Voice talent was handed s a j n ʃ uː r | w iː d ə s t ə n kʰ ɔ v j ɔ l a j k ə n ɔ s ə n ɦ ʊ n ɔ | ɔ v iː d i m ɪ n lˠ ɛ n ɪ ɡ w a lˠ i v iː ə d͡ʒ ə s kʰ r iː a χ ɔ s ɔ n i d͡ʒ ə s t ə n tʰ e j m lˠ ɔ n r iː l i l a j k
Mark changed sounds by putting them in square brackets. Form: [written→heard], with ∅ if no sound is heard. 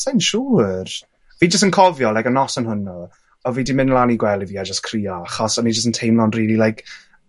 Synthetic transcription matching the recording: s a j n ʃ uː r | [w→v] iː [d→d͡ʒ] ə s t ə n kʰ ɔ v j ɔ l a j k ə n ɔ s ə n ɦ ʊ n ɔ | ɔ v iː d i m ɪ n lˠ [ɛ→a] n [ɪ→i] ɡ w [a→ɛ] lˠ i v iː [ə→a] d͡ʒ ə s kʰ r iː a χ ɔ s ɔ n i d͡ʒ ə s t ə n tʰ e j m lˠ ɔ n r iː l i l a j k